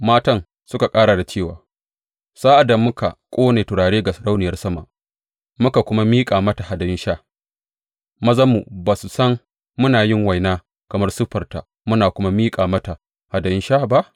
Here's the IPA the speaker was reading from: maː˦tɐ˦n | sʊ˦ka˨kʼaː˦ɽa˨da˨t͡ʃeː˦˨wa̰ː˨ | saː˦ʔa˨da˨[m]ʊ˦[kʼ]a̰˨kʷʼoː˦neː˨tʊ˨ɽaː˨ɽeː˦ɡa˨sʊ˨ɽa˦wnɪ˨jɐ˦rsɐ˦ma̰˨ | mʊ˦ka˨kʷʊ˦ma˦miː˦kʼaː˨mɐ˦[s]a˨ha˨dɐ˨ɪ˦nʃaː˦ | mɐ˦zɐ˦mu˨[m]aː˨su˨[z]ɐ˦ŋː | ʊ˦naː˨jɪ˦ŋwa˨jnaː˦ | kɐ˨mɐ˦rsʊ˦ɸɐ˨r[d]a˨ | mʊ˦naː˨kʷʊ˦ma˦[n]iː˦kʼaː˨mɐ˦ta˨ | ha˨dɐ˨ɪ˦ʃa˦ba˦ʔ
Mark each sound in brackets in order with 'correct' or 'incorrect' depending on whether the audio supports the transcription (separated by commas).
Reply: correct, incorrect, incorrect, incorrect, incorrect, incorrect, incorrect